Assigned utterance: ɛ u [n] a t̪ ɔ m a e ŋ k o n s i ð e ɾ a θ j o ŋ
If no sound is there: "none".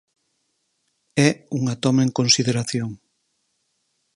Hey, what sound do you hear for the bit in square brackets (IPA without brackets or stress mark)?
ŋ